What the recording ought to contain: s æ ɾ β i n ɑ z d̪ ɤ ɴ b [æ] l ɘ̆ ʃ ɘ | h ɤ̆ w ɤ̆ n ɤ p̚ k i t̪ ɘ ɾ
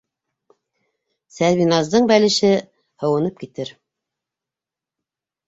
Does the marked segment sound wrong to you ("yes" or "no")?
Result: no